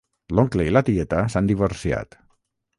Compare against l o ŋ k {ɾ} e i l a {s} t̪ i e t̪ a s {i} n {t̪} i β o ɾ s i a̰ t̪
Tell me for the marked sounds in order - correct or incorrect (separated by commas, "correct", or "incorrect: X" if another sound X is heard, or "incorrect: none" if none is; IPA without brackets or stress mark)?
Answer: incorrect: l, incorrect: none, incorrect: a, incorrect: d̪